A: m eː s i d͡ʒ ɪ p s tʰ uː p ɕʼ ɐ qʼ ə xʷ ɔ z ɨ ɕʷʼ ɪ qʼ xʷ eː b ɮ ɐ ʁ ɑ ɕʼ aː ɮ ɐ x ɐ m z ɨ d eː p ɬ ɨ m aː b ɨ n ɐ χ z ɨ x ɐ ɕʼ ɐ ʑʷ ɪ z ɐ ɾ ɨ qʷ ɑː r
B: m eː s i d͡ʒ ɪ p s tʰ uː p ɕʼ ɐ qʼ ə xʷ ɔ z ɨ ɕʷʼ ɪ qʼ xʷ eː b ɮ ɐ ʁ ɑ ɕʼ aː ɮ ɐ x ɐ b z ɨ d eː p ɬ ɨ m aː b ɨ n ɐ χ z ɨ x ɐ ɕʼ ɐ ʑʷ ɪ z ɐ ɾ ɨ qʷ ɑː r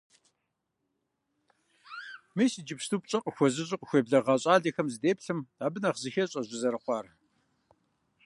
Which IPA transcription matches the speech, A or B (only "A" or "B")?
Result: A